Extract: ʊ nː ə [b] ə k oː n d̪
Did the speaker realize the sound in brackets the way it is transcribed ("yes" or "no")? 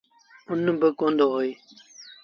yes